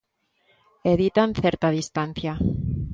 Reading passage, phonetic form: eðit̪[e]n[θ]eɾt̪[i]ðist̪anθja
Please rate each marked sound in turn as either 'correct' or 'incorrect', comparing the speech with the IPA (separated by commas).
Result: incorrect, correct, incorrect